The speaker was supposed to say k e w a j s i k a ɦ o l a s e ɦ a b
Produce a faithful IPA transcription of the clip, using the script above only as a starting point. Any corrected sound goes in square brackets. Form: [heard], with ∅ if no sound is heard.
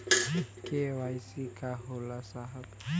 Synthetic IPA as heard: k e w a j s i k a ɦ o l a s [a] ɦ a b